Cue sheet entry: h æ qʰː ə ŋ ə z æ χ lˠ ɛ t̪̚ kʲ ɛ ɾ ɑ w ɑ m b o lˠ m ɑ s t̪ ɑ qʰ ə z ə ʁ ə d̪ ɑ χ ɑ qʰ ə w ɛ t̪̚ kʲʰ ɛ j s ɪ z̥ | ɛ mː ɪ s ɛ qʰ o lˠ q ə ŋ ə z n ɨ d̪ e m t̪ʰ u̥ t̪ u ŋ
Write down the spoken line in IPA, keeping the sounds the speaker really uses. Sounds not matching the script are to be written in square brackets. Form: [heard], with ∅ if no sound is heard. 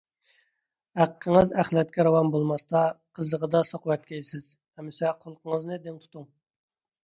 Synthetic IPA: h æ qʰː ə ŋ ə z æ χ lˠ ɛ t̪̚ kʲ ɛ ɾ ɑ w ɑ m b o lˠ m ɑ s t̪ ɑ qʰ ə z ə ʁ ə d̪ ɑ [s] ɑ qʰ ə w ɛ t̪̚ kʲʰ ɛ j s ɪ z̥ | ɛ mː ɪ s ɛ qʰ o lˠ q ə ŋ ə z n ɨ d̪ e [ŋ] t̪ʰ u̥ t̪ u ŋ